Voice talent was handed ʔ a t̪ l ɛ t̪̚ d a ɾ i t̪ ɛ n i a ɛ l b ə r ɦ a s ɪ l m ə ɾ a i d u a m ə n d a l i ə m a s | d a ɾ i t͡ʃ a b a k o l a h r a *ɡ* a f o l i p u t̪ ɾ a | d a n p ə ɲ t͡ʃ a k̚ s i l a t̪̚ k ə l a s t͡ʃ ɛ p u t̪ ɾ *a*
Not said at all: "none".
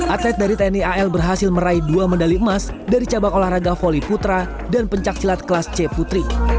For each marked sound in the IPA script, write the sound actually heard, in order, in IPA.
ɡ, i

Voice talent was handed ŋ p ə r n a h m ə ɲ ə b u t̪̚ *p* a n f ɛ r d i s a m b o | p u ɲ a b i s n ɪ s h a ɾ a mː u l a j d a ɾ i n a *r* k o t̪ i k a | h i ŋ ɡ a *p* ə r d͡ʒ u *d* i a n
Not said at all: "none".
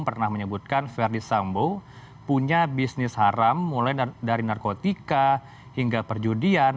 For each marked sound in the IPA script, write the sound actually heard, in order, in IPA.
k, r, p, d

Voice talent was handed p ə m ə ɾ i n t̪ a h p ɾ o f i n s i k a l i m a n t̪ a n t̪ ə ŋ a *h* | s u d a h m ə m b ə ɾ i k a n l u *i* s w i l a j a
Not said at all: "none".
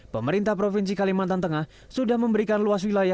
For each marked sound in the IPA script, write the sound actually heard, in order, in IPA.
h, a

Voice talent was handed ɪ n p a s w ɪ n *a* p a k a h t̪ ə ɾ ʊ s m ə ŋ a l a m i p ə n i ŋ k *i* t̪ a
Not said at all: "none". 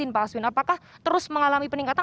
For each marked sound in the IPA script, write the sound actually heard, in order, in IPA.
a, a

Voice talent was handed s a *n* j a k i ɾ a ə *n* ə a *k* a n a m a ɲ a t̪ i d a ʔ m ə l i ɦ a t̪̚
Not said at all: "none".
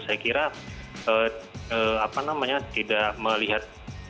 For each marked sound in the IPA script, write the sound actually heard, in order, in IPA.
none, none, p

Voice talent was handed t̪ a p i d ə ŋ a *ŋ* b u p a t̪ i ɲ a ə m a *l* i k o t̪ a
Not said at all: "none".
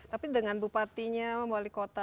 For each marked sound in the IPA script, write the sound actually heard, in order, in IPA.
n, l

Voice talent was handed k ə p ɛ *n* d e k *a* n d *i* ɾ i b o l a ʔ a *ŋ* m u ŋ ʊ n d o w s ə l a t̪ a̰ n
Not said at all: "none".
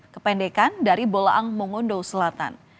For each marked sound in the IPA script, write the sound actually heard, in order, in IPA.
n, a, a, ŋ

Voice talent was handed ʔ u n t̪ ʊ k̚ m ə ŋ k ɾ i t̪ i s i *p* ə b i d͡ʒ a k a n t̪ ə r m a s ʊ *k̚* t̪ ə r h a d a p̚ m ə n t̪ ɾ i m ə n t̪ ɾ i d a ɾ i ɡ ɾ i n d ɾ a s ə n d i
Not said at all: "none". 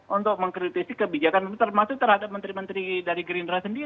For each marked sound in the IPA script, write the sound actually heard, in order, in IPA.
k, k̚

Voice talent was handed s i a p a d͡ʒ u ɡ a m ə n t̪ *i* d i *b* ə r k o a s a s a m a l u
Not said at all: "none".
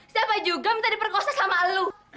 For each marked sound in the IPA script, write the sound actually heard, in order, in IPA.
a, p

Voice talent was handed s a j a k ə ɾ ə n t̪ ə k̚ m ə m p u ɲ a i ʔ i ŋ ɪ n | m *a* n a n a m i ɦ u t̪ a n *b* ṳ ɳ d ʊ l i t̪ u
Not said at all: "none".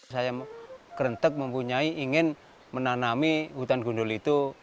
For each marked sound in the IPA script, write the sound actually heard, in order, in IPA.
ə, ɡ

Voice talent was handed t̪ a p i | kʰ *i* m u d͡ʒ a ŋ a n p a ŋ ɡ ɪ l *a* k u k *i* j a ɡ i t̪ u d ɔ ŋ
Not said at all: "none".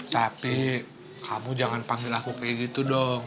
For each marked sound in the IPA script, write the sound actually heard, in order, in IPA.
a, a, a

